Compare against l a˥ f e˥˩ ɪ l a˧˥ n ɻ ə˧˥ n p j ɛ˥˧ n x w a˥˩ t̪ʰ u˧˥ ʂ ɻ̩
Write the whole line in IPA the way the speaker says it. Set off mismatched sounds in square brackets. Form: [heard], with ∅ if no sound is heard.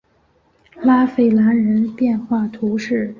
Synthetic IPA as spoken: l a˥ f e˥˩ ɪ l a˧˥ n ɻ ə˧˥ n p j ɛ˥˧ n x w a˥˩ t̪ʰ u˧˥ ʂ ɻ̩